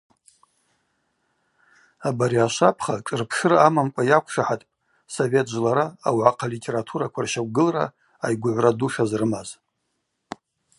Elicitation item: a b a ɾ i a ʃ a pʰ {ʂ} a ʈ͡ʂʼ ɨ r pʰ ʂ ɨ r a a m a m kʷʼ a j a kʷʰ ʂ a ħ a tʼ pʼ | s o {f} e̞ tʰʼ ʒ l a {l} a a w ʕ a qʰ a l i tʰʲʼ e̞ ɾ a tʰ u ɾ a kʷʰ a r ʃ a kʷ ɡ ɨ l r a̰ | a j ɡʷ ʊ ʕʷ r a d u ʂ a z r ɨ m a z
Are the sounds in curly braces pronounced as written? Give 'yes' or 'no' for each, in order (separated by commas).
no, no, no